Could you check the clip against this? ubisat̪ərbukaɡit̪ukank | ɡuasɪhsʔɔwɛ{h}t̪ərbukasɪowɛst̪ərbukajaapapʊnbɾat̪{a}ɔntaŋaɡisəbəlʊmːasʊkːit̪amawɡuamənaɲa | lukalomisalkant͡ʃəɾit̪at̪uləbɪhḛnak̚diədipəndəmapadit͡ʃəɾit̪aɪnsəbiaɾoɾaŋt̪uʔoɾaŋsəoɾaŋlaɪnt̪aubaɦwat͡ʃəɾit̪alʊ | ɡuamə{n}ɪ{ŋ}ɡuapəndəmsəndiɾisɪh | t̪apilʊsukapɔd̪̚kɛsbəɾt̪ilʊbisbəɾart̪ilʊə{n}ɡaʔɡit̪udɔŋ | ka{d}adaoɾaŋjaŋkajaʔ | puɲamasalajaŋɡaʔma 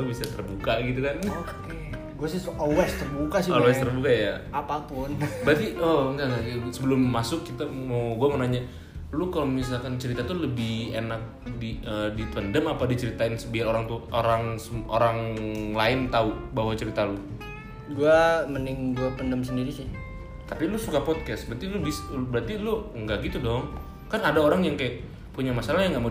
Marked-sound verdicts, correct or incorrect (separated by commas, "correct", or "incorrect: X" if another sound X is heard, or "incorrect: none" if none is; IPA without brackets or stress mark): incorrect: s, incorrect: i, correct, correct, incorrect: ŋ, incorrect: n